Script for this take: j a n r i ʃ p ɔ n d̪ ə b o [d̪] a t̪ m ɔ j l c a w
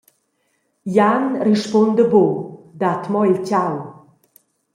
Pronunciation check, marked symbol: correct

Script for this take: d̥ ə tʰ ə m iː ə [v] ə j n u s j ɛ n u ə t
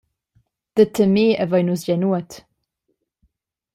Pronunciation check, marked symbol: correct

